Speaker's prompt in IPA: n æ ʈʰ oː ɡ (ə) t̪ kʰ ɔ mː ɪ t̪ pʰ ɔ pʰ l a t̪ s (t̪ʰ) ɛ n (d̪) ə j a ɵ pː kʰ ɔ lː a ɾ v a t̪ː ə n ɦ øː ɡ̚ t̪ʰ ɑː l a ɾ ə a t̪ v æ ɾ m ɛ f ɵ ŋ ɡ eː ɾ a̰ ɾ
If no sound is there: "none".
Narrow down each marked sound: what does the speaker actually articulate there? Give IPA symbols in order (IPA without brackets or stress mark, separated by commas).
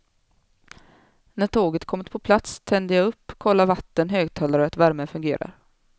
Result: ə, t̪ʰ, d̪